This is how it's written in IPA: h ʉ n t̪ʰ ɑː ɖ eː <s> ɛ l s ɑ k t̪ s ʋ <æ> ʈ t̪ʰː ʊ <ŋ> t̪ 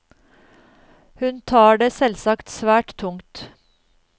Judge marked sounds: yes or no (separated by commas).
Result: yes, no, yes